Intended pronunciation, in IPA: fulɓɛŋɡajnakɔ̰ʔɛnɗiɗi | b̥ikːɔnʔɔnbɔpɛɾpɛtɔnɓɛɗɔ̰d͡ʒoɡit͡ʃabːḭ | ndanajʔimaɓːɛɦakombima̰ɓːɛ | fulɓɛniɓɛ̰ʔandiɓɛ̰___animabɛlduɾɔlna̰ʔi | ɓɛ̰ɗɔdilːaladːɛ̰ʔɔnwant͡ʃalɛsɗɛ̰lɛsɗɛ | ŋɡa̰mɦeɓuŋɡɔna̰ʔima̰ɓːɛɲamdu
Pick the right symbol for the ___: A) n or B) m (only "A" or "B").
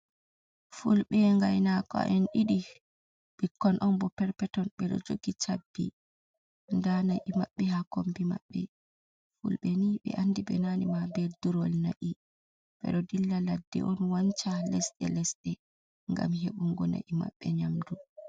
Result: A